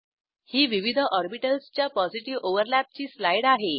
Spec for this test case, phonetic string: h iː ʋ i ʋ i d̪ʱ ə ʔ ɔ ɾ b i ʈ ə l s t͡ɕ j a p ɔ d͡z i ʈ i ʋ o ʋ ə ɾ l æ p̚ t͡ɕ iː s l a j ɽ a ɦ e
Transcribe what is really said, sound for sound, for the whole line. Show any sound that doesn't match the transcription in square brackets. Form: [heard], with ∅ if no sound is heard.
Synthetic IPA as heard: h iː ʋ i ʋ i d̪ʱ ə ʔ ɔ ɾ b i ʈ ə l s t͡ɕ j a p ɔ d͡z i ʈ i ʋ o ʋ ə ɾ l æ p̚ t͡ɕ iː s l a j ɽ a ɦ e

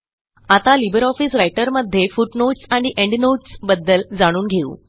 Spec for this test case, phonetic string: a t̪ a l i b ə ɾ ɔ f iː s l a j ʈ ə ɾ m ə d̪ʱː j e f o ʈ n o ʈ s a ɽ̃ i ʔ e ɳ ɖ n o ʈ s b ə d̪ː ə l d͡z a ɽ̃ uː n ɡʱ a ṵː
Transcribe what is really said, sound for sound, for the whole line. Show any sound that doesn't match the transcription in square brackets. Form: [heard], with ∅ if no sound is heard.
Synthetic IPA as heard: a t̪ a l i b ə ɾ ɔ f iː s [ɾ] a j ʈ ə ɾ m ə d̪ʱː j e f [u] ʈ n o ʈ s a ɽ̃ i ʔ e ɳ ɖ n o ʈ s b ə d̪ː ə l d͡z a ɽ̃ uː n ɡʱ [e] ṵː

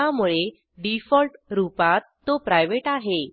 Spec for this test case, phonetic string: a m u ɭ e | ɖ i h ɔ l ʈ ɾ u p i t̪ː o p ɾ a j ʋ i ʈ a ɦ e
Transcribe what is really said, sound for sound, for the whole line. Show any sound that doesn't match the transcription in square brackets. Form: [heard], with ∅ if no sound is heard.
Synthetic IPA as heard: a m u ɭ e | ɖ i [f] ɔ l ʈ ɾ u p [a] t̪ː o p ɾ a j ʋ [e] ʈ a ɦ e

